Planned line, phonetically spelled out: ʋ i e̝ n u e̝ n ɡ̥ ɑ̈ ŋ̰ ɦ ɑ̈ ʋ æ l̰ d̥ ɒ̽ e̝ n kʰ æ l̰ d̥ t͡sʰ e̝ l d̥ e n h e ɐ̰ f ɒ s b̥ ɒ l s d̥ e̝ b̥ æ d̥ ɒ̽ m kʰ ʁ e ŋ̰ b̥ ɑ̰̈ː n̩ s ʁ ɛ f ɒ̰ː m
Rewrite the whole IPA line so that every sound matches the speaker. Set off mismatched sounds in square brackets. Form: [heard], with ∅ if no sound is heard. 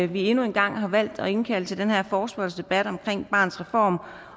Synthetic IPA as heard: ʋ i e̝ n u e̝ n ɡ̥ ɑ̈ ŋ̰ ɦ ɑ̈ ʋ æ l̰ d̥ ɒ̽ e̝ n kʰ æ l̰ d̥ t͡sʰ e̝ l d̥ e n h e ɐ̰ f [ɒː] s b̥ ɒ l s d̥ e̝ b̥ æ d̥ ɒ̽ m kʰ ʁ e ŋ̰ b̥ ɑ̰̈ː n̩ s ʁ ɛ f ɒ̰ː m